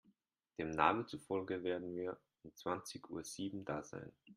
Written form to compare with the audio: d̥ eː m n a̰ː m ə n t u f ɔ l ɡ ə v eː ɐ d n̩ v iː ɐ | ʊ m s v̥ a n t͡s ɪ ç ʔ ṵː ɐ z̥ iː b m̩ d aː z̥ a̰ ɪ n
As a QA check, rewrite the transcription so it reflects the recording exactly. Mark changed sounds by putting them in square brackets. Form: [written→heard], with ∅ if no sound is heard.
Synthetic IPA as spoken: d̥ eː m n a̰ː m ə n [t→t͡s] u f ɔ l ɡ ə v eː ɐ d n̩ v iː ɐ | ʊ m [s→t͡s] v̥ a n t͡s ɪ ç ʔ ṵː ɐ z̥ iː b m̩ d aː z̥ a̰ ɪ n